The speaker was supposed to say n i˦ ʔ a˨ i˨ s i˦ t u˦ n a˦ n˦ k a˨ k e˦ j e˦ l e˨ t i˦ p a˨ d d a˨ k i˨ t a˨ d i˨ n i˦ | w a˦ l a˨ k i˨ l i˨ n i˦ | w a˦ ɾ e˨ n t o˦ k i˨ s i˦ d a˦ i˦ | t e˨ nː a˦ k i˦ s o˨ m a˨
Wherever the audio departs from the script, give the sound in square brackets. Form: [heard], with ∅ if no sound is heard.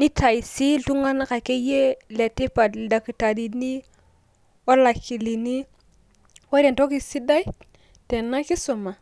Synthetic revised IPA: n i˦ [t] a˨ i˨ s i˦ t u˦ [ŋ] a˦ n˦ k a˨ k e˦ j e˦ l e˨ t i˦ p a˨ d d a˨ k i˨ t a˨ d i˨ n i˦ | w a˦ l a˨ k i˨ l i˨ n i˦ | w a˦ ɾ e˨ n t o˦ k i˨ s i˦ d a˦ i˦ | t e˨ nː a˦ k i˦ s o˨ m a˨